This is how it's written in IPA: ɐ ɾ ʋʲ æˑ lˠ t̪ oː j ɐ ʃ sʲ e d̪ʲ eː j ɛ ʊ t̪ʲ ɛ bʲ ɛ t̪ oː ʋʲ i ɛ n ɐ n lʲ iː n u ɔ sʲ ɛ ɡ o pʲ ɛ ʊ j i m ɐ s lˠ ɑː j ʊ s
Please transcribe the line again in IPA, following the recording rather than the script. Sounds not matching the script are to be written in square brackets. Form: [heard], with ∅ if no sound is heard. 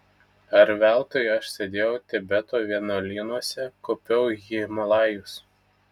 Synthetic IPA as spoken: ɐ ɾ ʋʲ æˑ lˠ t̪ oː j ɐ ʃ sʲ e d̪ʲ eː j ɛ ʊ t̪ʲ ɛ bʲ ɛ t̪ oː ʋʲ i ɛ n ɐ [∅] lʲ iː n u ɔ sʲ ɛ [k] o pʲ ɛ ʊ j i m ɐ [∅] lˠ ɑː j ʊ s